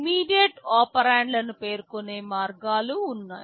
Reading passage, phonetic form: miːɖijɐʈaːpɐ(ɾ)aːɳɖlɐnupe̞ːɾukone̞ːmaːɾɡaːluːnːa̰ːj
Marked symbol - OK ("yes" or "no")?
yes